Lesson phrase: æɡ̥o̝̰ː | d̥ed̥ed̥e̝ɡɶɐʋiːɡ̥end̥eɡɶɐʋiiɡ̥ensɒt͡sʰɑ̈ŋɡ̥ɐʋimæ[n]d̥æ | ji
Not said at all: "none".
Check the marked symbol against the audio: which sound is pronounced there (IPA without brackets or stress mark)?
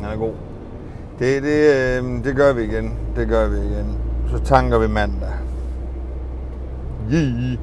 n